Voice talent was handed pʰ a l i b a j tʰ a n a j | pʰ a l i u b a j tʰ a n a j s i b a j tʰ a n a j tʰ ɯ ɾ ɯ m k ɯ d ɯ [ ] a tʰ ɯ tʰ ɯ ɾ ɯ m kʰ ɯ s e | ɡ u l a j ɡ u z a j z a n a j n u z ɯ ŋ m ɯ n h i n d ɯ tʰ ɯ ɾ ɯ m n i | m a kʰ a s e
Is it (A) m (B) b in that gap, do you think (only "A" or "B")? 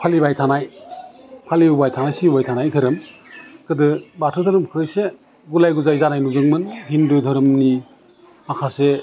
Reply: B